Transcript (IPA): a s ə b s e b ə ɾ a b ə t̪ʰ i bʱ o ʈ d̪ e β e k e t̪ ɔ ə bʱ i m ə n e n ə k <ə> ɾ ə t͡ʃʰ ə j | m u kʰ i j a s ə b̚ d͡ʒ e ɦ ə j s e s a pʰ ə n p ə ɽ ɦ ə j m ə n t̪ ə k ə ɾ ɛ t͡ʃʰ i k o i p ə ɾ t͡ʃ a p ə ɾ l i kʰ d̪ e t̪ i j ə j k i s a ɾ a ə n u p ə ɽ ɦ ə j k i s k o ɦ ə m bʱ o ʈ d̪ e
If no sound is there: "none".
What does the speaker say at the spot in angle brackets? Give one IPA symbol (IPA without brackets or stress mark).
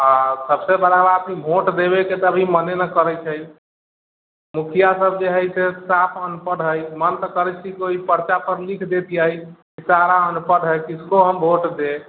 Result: ə